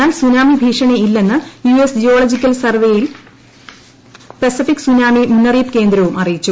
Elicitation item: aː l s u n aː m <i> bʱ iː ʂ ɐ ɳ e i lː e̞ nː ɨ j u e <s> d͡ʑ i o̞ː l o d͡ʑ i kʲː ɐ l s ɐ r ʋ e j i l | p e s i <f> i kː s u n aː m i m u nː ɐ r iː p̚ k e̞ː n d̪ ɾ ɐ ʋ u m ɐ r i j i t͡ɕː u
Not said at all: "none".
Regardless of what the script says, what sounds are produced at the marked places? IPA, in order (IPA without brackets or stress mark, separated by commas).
i, s, f